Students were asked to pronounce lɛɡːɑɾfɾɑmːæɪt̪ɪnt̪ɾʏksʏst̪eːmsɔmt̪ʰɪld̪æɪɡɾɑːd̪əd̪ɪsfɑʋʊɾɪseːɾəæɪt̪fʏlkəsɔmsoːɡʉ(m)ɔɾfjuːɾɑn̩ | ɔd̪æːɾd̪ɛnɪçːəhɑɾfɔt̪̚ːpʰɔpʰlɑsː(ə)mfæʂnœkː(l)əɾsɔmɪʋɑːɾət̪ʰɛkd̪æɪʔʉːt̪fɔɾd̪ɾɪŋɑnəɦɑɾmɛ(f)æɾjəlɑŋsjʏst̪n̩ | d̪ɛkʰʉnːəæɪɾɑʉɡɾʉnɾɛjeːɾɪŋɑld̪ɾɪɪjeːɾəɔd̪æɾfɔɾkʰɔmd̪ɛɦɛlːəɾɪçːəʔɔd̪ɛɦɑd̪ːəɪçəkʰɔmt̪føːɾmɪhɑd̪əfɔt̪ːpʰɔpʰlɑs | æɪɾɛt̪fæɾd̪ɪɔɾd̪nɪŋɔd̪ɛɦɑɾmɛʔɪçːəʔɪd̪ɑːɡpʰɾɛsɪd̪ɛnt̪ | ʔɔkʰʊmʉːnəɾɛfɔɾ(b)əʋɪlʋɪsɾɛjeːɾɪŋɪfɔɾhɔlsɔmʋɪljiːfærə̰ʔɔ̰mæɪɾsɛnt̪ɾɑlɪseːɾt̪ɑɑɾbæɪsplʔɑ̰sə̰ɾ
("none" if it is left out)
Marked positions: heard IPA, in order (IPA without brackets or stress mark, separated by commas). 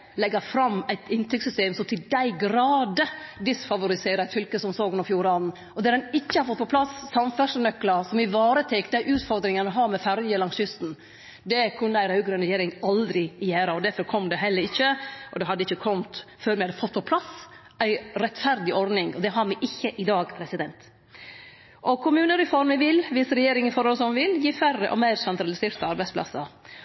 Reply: n, ɑ, l, f, m